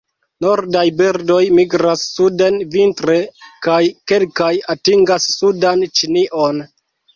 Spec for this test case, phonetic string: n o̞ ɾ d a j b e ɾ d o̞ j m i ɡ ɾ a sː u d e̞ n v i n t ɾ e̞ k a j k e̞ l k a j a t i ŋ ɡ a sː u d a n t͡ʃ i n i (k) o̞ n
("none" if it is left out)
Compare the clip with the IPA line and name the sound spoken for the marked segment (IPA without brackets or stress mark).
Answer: ʔ